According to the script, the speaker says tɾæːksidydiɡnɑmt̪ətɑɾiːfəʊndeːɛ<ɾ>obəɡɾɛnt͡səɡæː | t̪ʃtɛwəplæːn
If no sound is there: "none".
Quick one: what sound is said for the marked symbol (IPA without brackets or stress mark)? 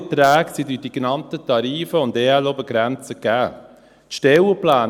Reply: l